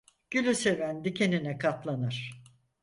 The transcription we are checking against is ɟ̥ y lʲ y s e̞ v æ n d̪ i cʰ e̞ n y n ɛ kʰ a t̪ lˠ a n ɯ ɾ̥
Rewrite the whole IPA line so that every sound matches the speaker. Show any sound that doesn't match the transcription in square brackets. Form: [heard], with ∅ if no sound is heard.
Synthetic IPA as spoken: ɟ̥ y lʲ y s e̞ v æ n d̪ i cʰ e̞ n [i] n ɛ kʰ a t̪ lˠ a n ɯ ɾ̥

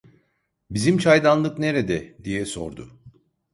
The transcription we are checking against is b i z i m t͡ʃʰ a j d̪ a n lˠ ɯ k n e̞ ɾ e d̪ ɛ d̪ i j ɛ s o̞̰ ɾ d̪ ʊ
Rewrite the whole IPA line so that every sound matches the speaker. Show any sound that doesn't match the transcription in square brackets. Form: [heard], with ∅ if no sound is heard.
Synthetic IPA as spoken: b i z i m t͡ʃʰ a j d̪ a n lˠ ɯ k n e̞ ɾ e d̪ ɛ d̪ i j ɛ s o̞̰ ɾ d̪ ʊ

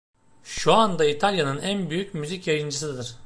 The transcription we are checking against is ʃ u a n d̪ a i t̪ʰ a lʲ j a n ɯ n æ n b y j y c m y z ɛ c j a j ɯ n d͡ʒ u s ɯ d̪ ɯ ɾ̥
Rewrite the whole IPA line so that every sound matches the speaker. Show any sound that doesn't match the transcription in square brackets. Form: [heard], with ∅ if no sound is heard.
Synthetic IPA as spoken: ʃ u a n d̪ a i t̪ʰ a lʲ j a n ɯ n æ n b y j y c m y z [i] c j a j ɯ n d͡ʒ [ɯ] s ɯ d̪ ɯ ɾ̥

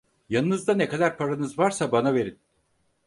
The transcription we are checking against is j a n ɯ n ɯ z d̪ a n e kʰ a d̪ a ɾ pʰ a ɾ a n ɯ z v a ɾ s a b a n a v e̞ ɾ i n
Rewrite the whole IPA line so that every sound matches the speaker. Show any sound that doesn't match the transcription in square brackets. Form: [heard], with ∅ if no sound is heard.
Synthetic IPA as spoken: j a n ɯ n ɯ z d̪ a n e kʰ a d̪ a ɾ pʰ a ɾ a n ɯ z v a ɾ s a b a n a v e̞ ɾ i n

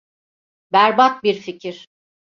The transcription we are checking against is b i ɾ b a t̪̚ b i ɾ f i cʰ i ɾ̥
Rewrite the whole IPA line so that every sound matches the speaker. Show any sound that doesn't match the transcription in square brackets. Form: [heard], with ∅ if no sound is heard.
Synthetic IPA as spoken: b [æ] ɾ b a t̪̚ b i ɾ f i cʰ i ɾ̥

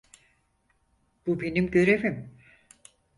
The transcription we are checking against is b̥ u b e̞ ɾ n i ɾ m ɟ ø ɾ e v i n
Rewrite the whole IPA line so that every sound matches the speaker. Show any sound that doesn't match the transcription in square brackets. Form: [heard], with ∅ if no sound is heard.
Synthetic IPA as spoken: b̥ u b e̞ [∅] n i [∅] m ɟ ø ɾ e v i [m]

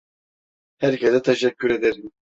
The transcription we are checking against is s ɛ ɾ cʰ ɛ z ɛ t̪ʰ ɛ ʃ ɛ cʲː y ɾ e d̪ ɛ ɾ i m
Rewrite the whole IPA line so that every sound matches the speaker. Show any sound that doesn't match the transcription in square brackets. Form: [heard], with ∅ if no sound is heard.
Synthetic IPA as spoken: [h] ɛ ɾ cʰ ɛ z ɛ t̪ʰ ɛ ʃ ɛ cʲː y ɾ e d̪ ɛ ɾ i m

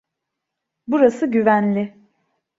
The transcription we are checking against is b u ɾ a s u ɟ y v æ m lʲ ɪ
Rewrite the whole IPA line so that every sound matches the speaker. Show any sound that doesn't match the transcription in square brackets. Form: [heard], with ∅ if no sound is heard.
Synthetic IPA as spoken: b u ɾ a s [ɯ] ɟ y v æ [n] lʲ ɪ

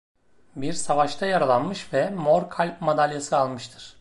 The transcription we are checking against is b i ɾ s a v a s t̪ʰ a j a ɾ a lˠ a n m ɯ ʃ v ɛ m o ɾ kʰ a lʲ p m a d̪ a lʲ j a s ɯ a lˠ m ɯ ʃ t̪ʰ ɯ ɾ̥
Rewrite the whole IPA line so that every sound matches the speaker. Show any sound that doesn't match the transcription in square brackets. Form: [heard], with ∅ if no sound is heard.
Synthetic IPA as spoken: b i ɾ s a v a [ʃ] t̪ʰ a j a ɾ a lˠ a n m ɯ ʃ v ɛ m o ɾ kʰ a lʲ p m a d̪ a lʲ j a s ɯ a lˠ m ɯ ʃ t̪ʰ ɯ ɾ̥

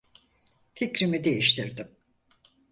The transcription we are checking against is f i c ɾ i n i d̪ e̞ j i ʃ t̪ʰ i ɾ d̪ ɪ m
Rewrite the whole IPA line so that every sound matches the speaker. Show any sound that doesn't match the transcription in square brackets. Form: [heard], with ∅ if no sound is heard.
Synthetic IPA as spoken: f i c ɾ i [m] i d̪ e̞ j i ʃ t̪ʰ i ɾ d̪ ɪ m

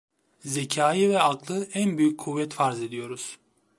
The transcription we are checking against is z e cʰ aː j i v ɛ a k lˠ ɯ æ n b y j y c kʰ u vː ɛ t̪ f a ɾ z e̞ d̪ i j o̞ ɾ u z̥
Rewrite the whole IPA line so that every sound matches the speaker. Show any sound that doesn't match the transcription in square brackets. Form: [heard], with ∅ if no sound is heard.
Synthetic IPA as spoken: z e cʰ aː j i v ɛ a k lˠ ɯ æ n b y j y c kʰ u vː ɛ t̪ f a ɾ z e̞ d̪ i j o̞ ɾ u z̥

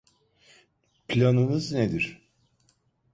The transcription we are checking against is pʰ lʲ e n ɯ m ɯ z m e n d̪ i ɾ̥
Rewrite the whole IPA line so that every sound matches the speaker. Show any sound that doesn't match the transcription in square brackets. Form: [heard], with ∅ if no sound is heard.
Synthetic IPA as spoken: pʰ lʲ [a] n ɯ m ɯ z [n] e [∅] d̪ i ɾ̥

